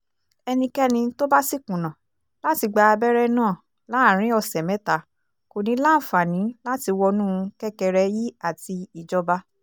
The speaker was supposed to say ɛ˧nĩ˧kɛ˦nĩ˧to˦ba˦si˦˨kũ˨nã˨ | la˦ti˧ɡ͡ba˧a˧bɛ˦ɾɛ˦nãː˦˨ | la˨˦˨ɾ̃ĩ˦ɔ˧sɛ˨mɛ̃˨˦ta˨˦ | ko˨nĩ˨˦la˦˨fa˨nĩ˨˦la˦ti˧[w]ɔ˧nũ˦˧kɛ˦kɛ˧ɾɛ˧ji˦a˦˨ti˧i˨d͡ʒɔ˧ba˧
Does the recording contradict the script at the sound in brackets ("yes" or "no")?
no